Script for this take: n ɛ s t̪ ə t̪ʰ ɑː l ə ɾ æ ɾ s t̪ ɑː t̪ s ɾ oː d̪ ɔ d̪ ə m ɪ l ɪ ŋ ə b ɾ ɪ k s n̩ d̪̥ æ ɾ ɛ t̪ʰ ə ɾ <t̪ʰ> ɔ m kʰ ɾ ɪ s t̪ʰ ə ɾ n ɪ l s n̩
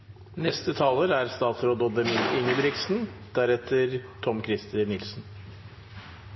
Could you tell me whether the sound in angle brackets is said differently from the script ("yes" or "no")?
no